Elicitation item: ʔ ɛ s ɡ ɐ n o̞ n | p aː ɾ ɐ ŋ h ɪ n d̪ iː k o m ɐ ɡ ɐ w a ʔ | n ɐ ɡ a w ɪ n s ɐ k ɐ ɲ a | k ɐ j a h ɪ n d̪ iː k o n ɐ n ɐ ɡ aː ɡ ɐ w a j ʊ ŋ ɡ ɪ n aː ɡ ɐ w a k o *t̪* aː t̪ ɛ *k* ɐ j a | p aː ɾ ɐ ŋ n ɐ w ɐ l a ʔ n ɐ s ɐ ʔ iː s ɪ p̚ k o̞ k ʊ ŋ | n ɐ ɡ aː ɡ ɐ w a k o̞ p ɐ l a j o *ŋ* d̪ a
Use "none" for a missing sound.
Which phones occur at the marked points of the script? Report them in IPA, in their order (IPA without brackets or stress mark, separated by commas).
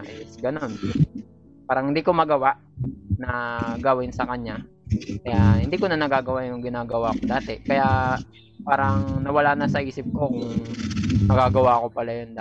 d̪, k, n